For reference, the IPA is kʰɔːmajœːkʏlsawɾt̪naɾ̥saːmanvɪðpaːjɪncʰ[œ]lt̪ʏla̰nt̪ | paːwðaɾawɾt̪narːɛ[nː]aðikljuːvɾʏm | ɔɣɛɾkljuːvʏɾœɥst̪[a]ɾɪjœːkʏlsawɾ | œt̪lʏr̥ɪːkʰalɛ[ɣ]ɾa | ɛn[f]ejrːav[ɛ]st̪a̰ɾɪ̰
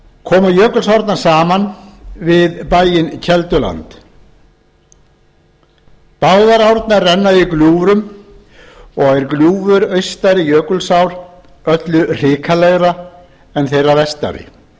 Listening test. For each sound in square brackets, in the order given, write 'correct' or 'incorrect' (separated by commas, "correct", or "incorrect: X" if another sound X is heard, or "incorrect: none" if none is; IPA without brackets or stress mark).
incorrect: ɛ, correct, correct, correct, incorrect: θ, correct